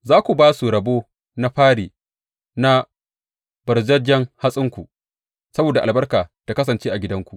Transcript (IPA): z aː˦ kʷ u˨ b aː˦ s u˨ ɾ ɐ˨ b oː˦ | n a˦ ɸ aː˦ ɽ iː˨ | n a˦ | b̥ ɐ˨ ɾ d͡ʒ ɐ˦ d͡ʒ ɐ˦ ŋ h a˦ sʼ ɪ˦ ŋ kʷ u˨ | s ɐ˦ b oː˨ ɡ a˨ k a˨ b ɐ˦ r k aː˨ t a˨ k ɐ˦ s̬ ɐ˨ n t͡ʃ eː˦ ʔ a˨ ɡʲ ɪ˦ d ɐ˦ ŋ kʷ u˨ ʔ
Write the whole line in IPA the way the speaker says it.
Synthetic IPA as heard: z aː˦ kʷ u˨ b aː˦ s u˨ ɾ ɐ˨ b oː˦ | n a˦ ɸ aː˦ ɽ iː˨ | n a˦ | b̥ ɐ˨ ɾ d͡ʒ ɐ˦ d͡ʒ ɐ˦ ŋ h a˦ sʼ ɪ˦ ŋ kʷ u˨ | s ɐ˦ b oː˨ d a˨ ʔ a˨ b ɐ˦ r k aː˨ t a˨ k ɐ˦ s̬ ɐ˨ n t͡ʃ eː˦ ʔ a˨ ɡʲ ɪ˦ d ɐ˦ ŋ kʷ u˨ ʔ